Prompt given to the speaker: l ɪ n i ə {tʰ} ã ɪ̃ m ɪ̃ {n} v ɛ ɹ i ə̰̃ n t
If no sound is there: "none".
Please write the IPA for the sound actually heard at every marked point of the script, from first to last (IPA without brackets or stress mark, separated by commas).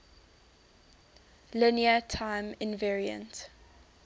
tʰ, n